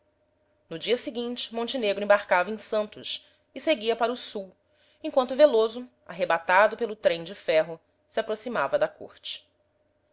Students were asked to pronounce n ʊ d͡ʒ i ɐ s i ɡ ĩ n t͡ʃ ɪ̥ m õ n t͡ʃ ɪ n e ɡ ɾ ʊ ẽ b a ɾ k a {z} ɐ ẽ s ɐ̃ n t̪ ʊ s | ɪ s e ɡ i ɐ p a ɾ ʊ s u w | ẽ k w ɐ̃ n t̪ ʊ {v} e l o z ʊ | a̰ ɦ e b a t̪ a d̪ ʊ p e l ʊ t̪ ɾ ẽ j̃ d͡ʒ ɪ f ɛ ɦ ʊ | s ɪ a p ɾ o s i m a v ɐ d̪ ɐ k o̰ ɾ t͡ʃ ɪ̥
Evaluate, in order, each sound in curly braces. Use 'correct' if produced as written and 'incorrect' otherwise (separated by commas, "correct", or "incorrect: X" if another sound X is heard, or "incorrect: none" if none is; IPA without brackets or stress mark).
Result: incorrect: v, correct